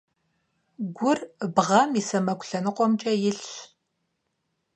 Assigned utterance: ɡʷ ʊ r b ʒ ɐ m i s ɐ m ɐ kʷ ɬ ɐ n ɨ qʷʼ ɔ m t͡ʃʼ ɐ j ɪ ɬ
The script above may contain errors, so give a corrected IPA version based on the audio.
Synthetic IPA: ɡʷ ʊ r b ʁ ɐ m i s ɐ m ɐ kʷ ɬ ɐ n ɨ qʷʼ ɔ m t͡ʃʼ ɐ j ɪ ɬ

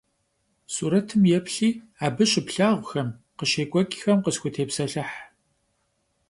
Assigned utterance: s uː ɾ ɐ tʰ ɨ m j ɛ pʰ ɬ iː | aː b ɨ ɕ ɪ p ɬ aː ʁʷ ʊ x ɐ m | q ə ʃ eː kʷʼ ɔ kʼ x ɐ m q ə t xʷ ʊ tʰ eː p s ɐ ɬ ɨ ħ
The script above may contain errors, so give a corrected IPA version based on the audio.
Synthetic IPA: s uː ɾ ɐ tʰ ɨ m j ɛ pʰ ɬ iː | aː b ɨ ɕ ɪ p ɬ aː ʁʷ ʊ x ɐ m | q ə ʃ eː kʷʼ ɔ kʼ x ɐ m q ə s xʷ ʊ tʰ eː p s ɐ ɬ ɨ ħ

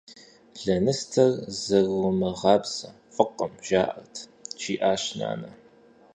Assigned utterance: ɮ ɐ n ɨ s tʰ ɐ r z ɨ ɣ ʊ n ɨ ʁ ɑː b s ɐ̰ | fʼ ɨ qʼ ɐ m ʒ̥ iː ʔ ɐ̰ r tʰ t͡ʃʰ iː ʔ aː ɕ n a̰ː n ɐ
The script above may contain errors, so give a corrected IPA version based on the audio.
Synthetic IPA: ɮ ɐ n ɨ s tʰ ɐ r z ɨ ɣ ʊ m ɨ ʁ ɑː b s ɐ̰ | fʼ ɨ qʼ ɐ m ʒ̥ aː ʔ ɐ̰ r tʰ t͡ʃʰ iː ʔ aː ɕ n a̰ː n ɐ

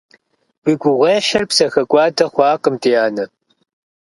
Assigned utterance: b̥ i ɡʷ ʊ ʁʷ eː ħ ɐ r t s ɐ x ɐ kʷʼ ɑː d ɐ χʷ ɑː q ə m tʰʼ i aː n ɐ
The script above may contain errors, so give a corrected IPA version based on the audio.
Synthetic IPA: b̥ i ɡʷ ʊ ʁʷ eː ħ ɐ r p s ɐ x ɐ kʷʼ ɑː d ɐ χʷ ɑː q ə m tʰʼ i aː n ɐ

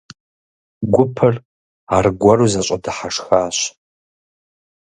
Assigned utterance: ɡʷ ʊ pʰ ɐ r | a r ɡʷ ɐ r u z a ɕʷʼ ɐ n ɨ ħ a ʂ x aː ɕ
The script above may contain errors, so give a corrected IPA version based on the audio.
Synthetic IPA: ɡʷ ʊ pʰ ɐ r | a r ɡʷ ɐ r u z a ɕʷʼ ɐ d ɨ ħ a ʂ x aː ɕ

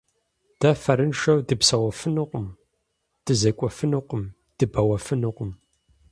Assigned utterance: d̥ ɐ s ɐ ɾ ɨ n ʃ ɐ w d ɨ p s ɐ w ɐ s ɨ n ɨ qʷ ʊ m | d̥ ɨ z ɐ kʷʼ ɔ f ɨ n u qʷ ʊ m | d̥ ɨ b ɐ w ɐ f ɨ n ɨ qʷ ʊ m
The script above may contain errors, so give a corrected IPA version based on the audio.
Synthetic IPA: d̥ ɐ f ɐ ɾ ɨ n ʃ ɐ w d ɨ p s ɐ w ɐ f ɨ n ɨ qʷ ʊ m | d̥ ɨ z ɐ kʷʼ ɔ f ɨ n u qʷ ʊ m | d̥ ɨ b ɐ w ɐ f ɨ n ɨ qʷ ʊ m

